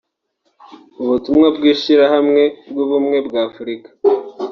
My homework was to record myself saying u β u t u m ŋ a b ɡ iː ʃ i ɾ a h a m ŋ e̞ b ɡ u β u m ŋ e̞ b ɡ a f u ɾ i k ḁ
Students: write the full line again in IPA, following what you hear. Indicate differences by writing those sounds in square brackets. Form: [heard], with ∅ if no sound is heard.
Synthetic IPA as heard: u β u t u m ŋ a b ɡ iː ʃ i ɾ a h a m ŋ e̞ b ɡ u β u m ŋ e̞ b ɡ a f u ɾ i k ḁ